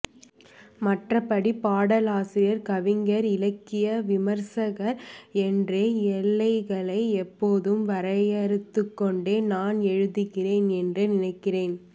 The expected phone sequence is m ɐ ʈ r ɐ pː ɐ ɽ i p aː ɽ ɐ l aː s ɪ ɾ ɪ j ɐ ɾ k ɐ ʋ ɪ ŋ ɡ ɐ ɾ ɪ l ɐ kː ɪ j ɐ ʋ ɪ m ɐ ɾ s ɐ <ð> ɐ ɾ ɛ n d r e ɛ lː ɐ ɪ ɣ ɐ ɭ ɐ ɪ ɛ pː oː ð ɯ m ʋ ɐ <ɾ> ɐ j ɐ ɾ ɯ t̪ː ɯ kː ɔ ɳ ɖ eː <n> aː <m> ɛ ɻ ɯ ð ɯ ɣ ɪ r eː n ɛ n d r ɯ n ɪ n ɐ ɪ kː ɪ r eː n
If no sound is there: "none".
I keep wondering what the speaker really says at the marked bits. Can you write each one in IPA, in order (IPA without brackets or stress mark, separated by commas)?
ɣ, ɾ, n, n